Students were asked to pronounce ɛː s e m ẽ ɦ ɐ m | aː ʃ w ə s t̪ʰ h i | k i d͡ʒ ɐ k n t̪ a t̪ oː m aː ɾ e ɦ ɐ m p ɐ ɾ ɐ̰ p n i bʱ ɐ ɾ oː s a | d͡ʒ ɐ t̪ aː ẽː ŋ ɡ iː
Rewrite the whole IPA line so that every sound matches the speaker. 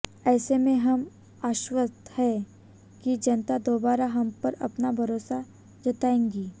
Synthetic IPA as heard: ɛː s e m ẽ ɦ ɐ m | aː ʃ w ə s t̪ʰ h ɛ | k i d͡ʒ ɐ n t̪ a d̪ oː b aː ɾ a ɦ ɐ m p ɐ ɾ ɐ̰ p n a bʱ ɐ ɾ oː s a | d͡ʒ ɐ t̪ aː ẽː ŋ ɡ iː